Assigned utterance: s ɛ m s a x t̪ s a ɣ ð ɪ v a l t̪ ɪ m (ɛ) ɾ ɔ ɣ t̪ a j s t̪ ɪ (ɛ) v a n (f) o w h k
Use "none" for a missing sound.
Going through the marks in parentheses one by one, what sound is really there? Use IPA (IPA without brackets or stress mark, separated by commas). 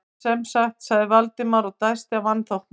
a, a, θ